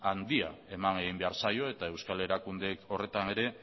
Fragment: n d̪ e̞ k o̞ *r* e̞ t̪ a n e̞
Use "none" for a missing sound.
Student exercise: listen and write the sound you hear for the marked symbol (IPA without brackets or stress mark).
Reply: r